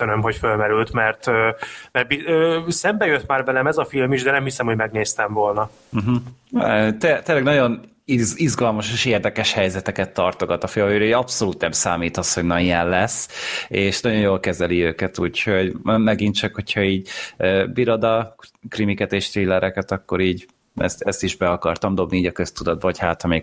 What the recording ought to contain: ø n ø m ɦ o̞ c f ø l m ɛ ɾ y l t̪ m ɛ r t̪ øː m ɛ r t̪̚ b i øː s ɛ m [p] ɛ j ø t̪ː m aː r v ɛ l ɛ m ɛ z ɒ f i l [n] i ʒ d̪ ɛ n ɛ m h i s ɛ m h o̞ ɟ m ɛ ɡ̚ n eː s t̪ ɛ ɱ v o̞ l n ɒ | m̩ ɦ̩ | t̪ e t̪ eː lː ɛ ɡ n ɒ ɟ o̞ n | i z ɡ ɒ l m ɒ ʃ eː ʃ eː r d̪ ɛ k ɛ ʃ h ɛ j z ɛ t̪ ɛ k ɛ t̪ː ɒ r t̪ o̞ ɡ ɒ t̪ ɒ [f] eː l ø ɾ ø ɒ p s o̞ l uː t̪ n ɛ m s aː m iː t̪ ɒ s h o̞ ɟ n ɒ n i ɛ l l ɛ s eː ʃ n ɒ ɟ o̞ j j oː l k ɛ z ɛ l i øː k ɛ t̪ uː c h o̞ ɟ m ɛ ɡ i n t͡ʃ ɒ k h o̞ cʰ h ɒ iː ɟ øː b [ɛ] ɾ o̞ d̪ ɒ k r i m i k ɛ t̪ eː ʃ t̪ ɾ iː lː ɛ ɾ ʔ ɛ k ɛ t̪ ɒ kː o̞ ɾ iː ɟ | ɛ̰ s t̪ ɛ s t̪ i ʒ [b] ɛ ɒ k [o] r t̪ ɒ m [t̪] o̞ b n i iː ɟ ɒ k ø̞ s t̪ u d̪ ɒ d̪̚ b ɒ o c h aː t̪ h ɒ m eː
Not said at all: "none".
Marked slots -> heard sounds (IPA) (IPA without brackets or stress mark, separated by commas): b, m, f, i, b, ɒ, d̪